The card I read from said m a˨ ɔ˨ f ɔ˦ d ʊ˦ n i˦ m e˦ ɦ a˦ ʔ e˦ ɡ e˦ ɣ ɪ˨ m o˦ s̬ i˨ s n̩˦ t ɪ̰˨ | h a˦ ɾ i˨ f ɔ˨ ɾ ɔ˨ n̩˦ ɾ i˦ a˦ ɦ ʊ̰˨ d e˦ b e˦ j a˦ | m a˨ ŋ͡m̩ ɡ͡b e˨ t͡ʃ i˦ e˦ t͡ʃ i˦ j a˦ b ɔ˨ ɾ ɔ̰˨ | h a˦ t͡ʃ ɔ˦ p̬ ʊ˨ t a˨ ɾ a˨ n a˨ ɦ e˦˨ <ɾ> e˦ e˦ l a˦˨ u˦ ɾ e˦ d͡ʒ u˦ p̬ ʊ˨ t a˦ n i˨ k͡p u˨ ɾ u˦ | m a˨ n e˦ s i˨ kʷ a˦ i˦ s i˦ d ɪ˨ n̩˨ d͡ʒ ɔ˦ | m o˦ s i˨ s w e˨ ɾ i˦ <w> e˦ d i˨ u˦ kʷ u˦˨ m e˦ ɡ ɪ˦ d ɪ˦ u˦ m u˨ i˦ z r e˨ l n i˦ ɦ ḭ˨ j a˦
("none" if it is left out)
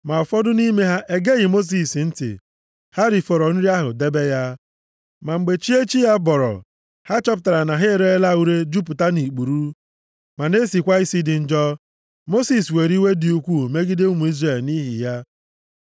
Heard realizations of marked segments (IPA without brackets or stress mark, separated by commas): ɾ, w